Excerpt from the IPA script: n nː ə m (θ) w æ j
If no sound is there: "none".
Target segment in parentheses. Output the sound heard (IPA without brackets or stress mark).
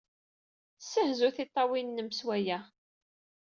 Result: s